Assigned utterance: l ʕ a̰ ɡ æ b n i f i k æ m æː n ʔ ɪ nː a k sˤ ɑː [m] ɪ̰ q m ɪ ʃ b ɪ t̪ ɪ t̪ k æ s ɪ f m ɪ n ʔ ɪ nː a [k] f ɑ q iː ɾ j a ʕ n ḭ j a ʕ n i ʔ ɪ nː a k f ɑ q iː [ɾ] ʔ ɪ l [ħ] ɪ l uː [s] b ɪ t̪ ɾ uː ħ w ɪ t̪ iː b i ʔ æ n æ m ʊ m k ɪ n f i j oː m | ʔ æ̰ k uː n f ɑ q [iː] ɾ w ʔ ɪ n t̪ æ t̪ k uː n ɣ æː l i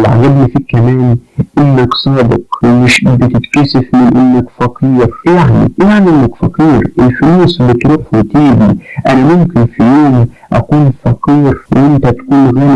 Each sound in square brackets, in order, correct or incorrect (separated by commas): incorrect, correct, correct, incorrect, correct, correct